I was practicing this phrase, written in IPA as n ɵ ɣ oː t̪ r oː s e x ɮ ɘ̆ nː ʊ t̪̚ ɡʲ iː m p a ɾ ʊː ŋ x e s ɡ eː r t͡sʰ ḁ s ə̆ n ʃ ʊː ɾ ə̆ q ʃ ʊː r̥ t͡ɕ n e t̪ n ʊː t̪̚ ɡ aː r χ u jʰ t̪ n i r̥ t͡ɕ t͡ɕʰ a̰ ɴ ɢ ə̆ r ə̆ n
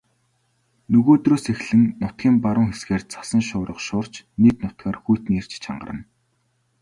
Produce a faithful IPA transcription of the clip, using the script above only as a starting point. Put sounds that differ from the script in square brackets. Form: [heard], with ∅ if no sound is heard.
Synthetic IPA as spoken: n ɵ ɣ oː t̪ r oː s e x ɮ ɘ̆ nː ʊ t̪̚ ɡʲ iː m p a ɾ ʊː ŋ x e s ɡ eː r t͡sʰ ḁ s ə̆ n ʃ ʊː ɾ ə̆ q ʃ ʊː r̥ t͡ɕ n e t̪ n [ʊ] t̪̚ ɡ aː r [x] u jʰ t̪ n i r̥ t͡ɕ t͡ɕʰ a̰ ɴ ɢ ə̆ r ə̆ n